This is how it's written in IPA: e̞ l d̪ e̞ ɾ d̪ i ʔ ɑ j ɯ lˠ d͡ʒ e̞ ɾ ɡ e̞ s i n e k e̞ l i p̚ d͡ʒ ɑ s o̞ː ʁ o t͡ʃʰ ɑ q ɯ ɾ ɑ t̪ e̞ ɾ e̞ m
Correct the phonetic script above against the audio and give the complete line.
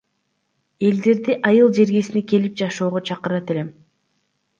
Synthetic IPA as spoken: e̞ l d̪ e̞ ɾ d̪ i ʔ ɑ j ɯ lˠ d͡ʒ e̞ ɾ ɡ e̞ s i n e k e̞ l i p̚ d͡ʒ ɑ ʃ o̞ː ʁ o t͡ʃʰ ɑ q ɯ ɾ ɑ t̪ e̞ l e̞ m